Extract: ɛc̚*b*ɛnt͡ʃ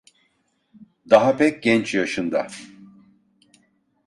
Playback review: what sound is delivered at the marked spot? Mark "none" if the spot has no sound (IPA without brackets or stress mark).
ɟ